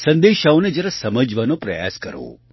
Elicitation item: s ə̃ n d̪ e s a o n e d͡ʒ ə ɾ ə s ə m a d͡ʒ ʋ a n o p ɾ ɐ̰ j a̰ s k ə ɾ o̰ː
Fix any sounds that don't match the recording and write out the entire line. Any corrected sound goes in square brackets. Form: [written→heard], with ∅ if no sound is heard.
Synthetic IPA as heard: s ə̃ n d̪ e [s→ʃ] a o n e d͡ʒ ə ɾ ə s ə m [a→ə] d͡ʒ ʋ a n o p ɾ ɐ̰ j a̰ s k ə ɾ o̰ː

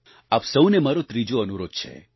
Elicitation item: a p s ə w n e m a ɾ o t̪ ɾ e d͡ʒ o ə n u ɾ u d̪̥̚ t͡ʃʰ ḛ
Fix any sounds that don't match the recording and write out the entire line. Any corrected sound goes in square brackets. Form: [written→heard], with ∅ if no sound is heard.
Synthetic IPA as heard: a p s ə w n e m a ɾ o t̪ ɾ [e→i] d͡ʒ o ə n u ɾ [u→o] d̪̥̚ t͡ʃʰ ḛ

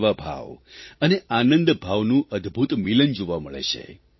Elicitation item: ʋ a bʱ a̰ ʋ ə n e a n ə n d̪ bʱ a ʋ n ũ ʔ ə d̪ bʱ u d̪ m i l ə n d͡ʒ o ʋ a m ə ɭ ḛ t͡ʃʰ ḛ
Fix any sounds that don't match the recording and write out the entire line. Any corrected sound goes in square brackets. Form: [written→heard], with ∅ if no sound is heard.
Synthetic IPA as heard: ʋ a bʱ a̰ ʋ ə n e a n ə n d̪ bʱ a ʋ n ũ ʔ ə d̪ bʱ u [d̪→t̪] m i l ə n d͡ʒ o ʋ a m ə ɭ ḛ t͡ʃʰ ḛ

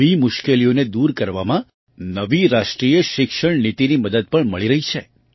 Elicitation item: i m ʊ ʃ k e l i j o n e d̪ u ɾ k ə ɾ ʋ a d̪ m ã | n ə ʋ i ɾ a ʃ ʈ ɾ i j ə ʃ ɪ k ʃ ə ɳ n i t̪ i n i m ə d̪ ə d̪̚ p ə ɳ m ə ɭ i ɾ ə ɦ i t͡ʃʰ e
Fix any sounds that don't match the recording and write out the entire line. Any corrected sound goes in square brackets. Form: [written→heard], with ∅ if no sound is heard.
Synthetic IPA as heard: i m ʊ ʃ k e l i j o n e d̪ u ɾ k ə ɾ ʋ a [d̪→∅] m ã | n ə ʋ i ɾ a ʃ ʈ ɾ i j ə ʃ ɪ k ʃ ə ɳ n i t̪ i n i m ə d̪ ə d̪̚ p ə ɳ m ə ɭ i ɾ ə ɦ i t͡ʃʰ e

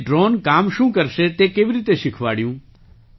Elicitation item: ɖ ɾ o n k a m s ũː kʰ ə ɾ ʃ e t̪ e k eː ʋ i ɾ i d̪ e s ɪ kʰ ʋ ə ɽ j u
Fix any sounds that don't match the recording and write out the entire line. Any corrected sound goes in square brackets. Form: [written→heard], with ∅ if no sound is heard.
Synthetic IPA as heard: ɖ ɾ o n k a m [s→ʃ] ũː [kʰ→k] ə ɾ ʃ e t̪ e k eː ʋ i ɾ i [d̪→t̪] e [s→ʃ] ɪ kʰ ʋ [ə→a] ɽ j [u→ũ]

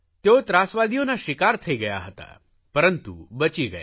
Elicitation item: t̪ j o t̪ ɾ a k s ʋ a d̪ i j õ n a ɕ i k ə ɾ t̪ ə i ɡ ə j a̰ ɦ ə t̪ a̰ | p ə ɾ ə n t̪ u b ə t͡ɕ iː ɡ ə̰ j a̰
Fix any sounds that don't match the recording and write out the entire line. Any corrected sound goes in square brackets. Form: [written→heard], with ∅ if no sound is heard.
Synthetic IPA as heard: t̪ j o t̪ ɾ a [k→∅] s ʋ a d̪ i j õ n a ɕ i k [ə→a] ɾ [t̪→t̪ʰ] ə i ɡ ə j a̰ ɦ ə t̪ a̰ | p ə ɾ ə n t̪ u b ə t͡ɕ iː ɡ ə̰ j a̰

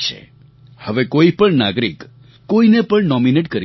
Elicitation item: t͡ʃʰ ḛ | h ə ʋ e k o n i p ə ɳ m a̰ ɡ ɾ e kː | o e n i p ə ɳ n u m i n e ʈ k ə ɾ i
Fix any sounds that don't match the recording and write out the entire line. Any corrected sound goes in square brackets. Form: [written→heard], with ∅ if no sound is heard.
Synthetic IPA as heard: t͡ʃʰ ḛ | h ə ʋ e k o [n→∅] i p ə ɳ [m→n] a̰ ɡ ɾ [e→i] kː | o [e→i] n [i→e] p ə ɳ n [u→ɔ] m i n e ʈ k ə ɾ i

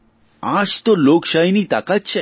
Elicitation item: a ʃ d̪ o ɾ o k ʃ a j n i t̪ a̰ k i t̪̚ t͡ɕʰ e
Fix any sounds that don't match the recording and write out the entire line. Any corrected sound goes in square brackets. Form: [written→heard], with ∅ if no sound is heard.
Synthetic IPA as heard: a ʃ [d̪→t̪] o [ɾ→l] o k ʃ a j n i t̪ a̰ k [i→a] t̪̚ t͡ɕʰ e

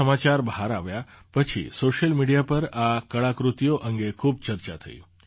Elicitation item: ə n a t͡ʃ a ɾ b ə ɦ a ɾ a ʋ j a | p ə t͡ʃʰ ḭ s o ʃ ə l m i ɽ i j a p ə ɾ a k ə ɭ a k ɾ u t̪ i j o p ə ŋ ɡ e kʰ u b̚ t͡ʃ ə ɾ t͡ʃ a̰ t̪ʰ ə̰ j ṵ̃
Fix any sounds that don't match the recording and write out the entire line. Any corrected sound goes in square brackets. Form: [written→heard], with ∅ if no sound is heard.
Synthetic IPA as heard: ə [n→m] a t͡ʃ a ɾ b ə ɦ a ɾ a ʋ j a | p ə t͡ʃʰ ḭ s o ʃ ə l m i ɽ i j a p ə ɾ a k ə ɭ a k ɾ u t̪ i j o [p→ʔ] ə ŋ ɡ e kʰ u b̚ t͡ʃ ə ɾ t͡ʃ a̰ t̪ʰ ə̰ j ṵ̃

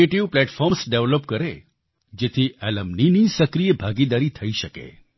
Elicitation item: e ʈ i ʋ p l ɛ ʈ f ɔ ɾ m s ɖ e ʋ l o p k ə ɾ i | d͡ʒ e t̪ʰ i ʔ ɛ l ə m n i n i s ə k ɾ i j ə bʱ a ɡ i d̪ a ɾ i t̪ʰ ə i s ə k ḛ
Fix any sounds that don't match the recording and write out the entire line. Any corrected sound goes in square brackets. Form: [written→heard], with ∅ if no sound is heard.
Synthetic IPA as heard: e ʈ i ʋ p l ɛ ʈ f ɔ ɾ m s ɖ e ʋ l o p k ə ɾ [i→e] | d͡ʒ e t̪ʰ i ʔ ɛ l ə m n i n i s ə k ɾ i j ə bʱ a ɡ i d̪ a ɾ i t̪ʰ ə i [s→ʃ] ə k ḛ

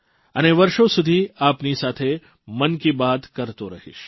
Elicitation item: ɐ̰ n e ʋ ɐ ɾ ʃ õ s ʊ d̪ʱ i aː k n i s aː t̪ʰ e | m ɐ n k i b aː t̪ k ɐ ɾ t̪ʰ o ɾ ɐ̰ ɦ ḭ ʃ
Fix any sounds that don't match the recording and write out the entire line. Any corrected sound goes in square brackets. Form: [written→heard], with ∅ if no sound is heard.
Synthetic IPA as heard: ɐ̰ n e ʋ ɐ ɾ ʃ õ s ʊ d̪ʱ i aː [k→p] n i s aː t̪ʰ e | m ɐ n k i b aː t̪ k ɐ ɾ [t̪ʰ→t̪] o ɾ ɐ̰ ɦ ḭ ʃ

